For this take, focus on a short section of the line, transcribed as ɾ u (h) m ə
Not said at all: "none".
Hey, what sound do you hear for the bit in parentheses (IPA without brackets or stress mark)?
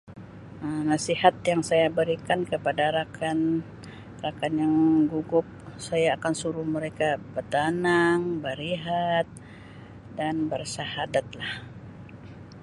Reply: h